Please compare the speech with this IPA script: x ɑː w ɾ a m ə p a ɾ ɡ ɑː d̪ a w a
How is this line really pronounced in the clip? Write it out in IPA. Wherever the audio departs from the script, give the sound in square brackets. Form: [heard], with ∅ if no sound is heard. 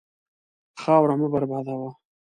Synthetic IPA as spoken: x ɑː w ɾ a m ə [b] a ɾ [b] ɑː d̪ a w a